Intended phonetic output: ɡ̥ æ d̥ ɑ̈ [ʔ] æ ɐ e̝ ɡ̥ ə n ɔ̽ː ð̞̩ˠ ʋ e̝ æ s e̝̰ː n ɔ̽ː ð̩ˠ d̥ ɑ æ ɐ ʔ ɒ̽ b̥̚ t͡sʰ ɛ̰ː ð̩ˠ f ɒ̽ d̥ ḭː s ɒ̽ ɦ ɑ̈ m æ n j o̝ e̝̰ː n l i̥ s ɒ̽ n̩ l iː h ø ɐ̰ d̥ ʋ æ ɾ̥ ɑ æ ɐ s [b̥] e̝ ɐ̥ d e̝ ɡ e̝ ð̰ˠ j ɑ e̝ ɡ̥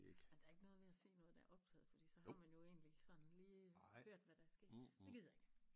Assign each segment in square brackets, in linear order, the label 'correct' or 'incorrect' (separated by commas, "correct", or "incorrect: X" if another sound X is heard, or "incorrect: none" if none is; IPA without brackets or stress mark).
incorrect: none, incorrect: ɡ̥